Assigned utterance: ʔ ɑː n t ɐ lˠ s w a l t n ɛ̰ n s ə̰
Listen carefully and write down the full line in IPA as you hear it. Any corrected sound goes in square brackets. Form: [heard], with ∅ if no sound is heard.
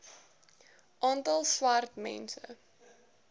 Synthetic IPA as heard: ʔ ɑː n t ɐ lˠ s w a [r] t [m] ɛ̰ n s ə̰